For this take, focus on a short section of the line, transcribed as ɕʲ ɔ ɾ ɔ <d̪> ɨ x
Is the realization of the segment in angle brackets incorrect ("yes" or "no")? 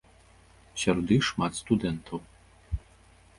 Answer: no